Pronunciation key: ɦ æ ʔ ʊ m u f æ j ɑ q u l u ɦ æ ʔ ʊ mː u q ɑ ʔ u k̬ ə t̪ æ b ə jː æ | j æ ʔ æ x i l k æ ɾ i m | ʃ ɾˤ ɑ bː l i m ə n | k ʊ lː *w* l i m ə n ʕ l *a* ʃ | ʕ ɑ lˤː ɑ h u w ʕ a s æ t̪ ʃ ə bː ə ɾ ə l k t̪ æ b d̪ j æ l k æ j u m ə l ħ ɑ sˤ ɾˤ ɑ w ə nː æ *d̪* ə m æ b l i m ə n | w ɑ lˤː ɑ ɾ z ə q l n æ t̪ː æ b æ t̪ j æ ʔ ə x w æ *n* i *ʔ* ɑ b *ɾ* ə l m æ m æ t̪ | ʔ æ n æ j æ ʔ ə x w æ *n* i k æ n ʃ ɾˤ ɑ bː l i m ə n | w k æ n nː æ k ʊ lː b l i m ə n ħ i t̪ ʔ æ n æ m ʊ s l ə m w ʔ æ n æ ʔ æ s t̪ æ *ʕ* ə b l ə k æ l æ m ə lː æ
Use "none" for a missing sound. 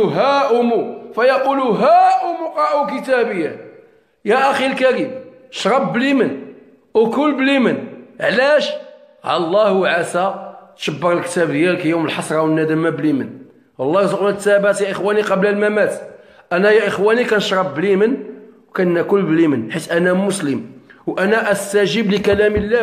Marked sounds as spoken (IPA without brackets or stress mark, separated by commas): b, æ, d̪, n, q, l, n, ʒ